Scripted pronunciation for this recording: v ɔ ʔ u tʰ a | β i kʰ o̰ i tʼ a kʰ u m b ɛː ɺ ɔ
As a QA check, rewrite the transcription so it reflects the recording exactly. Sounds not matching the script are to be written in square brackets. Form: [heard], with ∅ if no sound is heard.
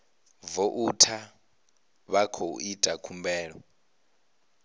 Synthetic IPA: v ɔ ʔ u tʰ a | β [a] kʰ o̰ i tʼ a kʰ u m b ɛː ɺ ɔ